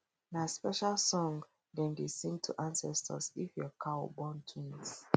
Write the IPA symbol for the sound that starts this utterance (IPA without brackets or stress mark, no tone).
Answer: n